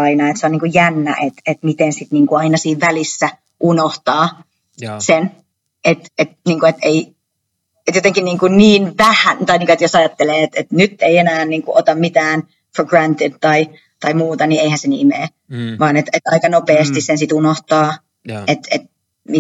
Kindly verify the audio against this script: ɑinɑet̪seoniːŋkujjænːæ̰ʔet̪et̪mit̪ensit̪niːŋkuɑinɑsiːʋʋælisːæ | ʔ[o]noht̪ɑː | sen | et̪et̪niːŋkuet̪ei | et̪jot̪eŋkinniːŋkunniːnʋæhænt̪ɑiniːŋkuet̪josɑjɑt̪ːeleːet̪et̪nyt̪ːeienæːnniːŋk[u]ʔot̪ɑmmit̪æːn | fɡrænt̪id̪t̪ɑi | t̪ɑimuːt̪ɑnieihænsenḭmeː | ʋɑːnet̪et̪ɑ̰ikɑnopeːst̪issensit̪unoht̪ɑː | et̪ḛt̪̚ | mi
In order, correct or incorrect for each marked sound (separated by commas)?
incorrect, correct